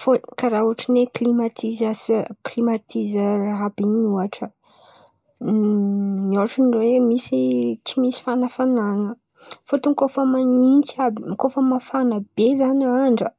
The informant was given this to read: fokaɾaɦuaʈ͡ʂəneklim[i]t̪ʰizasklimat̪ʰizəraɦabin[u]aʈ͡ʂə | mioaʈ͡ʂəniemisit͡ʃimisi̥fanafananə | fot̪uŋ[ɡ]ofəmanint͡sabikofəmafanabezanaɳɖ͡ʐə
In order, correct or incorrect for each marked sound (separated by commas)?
incorrect, correct, incorrect